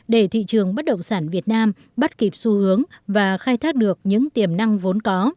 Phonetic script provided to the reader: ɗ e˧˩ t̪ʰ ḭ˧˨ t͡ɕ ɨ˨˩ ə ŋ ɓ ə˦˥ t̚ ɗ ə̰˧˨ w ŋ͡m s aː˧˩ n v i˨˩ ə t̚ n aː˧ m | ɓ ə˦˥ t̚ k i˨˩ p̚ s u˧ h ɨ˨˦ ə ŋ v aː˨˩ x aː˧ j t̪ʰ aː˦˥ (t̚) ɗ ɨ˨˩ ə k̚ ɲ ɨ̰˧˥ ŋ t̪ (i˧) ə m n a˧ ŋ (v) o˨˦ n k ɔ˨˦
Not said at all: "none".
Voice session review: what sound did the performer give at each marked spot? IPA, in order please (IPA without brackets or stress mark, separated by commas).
k̚, i˨˩, v